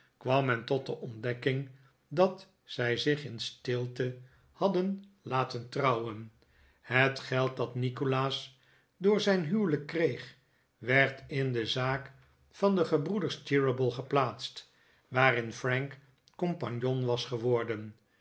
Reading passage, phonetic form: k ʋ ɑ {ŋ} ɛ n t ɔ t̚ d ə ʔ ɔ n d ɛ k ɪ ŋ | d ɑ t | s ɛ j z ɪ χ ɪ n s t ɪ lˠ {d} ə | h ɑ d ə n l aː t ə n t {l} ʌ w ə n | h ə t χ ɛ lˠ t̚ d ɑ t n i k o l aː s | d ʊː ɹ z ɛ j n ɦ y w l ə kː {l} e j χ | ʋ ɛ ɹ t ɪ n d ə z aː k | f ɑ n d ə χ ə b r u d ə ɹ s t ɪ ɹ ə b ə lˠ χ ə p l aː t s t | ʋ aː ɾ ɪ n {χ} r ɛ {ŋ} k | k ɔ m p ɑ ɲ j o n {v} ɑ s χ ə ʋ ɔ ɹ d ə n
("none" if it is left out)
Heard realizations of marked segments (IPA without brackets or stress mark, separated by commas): m, t, r, r, f, ŋ, ʋ